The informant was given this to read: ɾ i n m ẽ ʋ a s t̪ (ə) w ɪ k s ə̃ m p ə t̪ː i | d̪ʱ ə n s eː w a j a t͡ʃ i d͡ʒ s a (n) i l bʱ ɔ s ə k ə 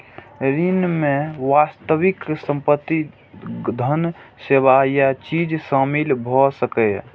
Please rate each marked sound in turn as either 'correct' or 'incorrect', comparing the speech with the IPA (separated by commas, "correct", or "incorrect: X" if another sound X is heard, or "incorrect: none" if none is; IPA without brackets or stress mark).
correct, incorrect: m